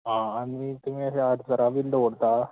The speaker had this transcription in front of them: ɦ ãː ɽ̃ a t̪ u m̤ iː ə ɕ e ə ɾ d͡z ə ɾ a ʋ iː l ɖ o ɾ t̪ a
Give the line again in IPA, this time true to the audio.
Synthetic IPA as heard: ɦ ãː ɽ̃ i t̪ u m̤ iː ə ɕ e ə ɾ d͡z ə ɾ a ʋ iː l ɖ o ɽ t̪ a